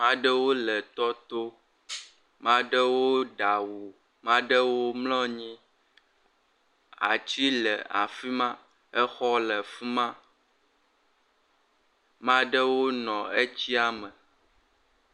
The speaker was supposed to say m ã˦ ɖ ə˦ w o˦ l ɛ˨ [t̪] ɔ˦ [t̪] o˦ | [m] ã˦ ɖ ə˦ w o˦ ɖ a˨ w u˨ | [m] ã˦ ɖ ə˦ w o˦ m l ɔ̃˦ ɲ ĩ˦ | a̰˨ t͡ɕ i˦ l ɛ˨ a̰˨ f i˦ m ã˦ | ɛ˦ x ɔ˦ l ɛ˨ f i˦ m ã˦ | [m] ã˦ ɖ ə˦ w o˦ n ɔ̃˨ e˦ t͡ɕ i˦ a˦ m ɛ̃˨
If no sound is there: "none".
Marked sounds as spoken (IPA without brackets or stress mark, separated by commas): t̪, t̪, m, m, m